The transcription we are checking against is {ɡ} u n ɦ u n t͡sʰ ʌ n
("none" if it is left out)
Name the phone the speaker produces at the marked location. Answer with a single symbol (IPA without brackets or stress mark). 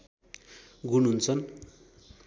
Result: ɡ